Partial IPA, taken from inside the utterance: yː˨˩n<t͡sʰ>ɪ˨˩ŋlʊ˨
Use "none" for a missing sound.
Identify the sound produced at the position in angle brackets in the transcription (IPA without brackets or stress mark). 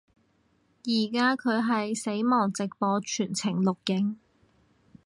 t͡sʰ